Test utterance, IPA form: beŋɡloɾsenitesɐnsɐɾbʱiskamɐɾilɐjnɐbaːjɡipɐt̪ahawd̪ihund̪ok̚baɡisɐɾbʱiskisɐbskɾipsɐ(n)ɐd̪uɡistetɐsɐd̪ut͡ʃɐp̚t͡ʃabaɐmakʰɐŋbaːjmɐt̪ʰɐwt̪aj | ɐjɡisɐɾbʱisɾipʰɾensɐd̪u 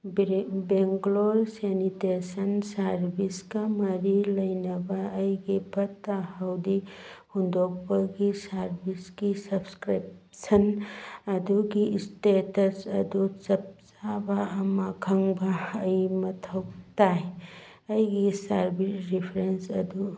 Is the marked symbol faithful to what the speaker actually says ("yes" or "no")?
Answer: yes